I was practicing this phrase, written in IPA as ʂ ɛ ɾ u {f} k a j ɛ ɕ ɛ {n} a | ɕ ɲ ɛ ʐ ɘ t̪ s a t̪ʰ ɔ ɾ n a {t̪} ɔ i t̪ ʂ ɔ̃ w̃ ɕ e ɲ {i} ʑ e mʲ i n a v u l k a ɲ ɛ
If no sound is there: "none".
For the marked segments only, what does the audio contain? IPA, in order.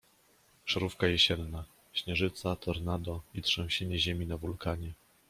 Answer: f, nː, d̪, ɛ

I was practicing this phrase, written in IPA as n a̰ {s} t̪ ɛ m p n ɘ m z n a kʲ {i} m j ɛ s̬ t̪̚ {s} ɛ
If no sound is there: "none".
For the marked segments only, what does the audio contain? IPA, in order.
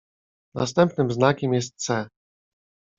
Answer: s, ɛ, s

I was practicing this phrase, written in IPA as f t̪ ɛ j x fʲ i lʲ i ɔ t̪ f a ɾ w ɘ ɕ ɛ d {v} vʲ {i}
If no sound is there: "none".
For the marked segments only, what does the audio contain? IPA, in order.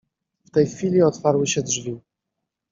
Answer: ʐ, i

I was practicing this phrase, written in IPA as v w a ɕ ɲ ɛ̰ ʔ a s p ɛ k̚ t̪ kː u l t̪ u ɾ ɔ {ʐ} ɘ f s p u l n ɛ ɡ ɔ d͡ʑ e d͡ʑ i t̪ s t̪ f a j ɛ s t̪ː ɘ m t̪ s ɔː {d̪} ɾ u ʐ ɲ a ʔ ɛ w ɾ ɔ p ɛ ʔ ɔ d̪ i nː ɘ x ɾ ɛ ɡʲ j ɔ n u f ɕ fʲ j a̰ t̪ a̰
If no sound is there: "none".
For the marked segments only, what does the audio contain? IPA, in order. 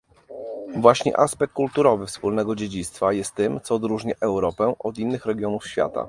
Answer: v, d̪

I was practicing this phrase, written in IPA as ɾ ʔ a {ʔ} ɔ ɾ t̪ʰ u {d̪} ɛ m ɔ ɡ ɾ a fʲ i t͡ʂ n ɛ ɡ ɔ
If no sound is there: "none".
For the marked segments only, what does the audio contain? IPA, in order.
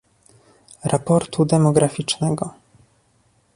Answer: p, d̪

